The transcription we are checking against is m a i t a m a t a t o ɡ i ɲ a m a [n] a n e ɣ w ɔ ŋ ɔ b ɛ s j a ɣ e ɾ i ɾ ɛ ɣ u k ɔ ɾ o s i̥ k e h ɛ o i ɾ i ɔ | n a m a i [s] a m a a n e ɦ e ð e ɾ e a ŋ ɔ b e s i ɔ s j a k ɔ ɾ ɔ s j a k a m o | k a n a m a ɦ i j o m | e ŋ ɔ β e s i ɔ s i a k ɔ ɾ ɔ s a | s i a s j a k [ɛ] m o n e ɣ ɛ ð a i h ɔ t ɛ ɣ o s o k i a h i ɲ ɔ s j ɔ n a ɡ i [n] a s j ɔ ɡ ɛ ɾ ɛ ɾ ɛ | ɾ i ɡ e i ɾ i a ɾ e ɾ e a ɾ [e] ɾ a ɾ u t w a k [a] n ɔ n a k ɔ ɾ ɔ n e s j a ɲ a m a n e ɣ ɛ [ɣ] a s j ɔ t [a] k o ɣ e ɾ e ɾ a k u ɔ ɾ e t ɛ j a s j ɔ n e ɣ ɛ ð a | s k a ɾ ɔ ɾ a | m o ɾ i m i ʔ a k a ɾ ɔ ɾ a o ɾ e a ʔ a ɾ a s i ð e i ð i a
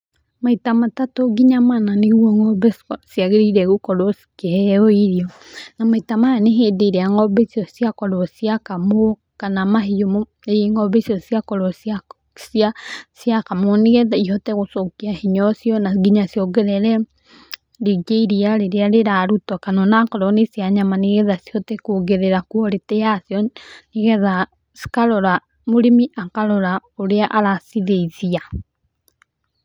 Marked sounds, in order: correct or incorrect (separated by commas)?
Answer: correct, incorrect, incorrect, incorrect, correct, correct, incorrect, incorrect